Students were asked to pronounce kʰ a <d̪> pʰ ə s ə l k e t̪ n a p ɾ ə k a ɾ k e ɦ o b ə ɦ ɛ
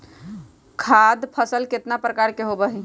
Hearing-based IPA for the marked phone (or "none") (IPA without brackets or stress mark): d̪